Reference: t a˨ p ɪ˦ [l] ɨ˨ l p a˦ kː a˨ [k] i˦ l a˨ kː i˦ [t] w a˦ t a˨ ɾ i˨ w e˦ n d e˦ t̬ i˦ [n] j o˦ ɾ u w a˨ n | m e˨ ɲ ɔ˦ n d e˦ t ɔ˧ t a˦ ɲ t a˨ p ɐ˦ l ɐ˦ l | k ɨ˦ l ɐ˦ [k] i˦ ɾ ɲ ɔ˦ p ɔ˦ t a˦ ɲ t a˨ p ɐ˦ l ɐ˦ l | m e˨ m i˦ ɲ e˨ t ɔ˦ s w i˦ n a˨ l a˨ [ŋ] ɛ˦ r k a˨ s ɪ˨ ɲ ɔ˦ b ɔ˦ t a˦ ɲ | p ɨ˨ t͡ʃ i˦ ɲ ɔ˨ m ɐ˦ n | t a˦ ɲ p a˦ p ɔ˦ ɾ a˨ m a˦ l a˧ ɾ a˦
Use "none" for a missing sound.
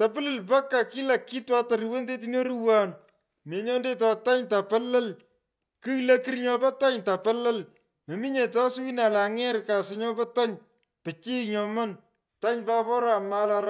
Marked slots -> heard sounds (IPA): l, k, t, n, k, ŋ

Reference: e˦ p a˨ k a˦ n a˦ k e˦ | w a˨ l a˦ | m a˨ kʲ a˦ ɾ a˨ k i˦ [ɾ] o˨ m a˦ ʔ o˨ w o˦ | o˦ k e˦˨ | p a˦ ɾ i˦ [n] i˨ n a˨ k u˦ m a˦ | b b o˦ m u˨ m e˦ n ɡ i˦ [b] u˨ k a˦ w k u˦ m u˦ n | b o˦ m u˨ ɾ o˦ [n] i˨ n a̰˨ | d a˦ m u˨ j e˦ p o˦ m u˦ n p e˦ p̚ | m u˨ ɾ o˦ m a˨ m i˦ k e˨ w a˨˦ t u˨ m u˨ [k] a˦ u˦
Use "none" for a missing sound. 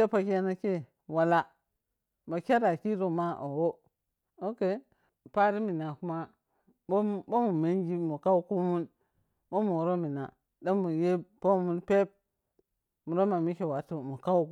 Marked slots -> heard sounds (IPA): ɾ, m, m, m, k

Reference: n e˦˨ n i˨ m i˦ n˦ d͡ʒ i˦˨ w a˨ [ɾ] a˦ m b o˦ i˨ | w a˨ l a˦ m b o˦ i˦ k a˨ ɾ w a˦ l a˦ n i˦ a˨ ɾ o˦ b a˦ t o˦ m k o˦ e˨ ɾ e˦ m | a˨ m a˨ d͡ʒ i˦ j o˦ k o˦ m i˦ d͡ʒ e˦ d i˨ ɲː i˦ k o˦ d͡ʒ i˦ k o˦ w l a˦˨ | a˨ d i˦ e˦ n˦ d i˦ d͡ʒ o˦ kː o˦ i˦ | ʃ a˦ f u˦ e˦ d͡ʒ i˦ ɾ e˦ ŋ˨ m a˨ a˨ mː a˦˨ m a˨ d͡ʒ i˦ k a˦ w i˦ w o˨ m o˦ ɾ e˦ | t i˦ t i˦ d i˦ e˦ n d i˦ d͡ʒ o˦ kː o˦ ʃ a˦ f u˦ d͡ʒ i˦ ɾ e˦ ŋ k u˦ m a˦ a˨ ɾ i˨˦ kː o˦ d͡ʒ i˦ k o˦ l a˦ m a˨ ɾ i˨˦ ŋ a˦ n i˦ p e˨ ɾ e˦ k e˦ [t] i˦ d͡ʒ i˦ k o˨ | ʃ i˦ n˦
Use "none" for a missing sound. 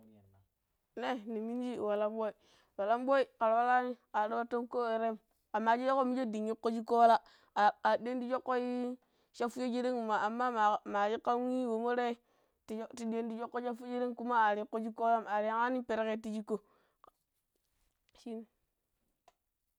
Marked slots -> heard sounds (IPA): l, t

